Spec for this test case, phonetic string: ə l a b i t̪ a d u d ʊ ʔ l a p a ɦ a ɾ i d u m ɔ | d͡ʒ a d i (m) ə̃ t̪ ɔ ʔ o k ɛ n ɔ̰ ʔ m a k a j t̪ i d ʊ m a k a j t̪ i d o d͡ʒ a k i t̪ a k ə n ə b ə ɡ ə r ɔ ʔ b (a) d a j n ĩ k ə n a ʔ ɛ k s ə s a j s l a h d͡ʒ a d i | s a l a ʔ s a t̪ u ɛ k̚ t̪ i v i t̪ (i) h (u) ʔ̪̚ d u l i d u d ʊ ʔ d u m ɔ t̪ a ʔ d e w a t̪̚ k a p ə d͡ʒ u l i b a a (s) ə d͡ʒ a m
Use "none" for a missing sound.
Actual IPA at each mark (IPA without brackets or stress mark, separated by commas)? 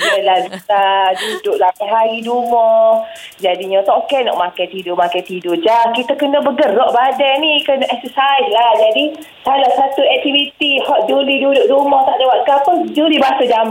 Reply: ɲ, a, i, ɔ, s